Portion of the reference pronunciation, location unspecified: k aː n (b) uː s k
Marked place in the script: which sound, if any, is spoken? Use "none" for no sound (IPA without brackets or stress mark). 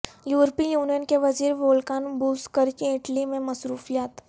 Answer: b